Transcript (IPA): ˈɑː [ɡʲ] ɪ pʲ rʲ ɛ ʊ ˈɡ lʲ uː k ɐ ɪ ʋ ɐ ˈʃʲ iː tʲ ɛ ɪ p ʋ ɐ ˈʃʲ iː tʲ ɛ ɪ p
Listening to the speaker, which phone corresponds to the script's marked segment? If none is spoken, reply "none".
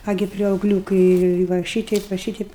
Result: ɡʲ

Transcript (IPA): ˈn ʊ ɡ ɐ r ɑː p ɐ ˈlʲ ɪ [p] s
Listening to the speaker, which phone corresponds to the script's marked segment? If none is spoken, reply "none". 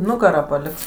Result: k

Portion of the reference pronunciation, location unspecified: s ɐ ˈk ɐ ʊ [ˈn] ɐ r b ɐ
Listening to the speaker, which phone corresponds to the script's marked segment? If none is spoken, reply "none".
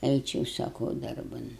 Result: d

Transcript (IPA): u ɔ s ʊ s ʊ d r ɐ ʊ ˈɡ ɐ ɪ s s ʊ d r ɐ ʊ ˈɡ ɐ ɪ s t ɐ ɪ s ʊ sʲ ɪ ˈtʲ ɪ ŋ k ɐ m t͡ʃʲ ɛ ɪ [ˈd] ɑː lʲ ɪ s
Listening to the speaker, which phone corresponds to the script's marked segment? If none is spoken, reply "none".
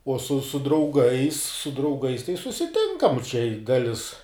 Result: d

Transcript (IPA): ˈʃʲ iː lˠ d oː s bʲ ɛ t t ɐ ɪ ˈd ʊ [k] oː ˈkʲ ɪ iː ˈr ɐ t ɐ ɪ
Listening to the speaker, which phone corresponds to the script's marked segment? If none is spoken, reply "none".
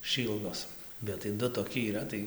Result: t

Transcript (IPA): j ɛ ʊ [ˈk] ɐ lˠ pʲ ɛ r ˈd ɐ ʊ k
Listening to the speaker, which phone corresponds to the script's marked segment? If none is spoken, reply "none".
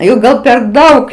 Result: ɡ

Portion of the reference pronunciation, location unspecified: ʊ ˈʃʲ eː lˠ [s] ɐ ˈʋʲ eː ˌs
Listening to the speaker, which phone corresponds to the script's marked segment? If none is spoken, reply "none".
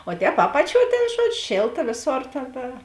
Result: t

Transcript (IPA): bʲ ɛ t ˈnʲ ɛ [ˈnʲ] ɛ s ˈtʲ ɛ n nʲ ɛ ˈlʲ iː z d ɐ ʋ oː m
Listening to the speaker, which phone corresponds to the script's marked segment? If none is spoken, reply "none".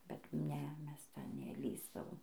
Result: mʲ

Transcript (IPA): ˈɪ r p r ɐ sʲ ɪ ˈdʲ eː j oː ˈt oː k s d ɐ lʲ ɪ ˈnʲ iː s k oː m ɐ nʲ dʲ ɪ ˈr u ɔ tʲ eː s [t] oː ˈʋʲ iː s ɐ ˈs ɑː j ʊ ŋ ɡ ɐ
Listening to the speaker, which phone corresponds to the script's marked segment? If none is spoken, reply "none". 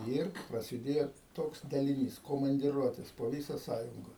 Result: p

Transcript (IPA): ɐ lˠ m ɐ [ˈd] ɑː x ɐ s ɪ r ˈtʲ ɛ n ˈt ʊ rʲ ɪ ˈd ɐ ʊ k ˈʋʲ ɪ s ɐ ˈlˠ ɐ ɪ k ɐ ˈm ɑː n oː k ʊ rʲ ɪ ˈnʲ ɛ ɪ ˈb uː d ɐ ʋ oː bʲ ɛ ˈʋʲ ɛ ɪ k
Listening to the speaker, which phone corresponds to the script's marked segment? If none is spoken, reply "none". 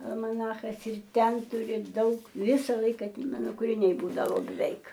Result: n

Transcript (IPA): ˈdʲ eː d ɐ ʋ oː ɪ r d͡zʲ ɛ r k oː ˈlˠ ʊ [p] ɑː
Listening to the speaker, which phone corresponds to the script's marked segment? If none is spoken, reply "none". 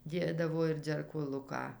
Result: k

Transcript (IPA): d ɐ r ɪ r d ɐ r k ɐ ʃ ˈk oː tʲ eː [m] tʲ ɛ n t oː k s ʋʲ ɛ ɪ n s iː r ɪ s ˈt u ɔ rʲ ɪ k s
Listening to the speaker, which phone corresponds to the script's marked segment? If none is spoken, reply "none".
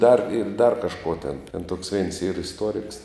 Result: n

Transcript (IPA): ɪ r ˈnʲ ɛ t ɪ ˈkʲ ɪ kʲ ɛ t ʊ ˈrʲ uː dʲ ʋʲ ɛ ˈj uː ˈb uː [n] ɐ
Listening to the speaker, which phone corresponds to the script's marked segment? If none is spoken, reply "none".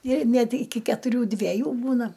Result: n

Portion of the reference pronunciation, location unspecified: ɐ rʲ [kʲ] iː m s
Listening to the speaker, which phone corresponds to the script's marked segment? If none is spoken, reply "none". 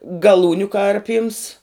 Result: pʲ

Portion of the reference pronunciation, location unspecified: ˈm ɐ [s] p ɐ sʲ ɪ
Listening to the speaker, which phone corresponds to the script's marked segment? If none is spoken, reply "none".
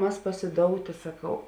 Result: s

